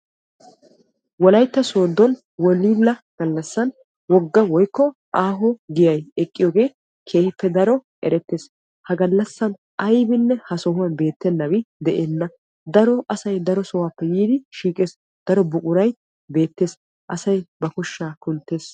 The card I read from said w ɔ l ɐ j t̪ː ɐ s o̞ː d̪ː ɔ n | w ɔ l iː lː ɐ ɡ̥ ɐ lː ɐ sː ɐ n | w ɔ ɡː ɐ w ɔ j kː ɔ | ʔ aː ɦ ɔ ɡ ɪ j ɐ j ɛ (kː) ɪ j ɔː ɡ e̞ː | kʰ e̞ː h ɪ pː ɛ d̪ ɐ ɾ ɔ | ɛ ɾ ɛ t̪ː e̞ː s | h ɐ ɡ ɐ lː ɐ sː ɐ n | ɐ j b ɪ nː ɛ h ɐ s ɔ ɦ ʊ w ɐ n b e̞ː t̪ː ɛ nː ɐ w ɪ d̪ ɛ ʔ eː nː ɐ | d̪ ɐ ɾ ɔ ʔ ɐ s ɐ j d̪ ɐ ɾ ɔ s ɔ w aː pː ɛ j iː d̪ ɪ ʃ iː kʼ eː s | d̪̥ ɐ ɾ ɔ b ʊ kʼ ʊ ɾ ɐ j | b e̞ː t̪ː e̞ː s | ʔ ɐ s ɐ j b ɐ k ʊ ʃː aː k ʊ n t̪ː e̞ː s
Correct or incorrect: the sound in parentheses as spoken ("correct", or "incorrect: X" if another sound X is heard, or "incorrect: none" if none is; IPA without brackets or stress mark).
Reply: incorrect: kʼː